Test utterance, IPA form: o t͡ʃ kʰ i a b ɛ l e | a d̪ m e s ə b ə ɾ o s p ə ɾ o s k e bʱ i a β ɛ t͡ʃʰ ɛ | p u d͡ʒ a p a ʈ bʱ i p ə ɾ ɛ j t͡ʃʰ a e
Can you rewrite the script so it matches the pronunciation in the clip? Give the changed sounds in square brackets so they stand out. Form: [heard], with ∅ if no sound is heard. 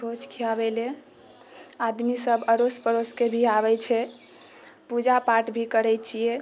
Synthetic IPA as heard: o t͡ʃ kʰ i a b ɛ l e | a d̪ m [i] s ə b ə ɾ o s p ə ɾ o s k e bʱ i a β ɛ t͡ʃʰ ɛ | p u d͡ʒ a p a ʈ bʱ i [k] ə ɾ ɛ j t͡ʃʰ [i] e